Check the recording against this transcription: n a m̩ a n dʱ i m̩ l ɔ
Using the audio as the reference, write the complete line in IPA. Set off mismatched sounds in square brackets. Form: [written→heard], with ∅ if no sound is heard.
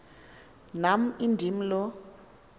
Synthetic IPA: n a m̩ [a→i] n dʱ i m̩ l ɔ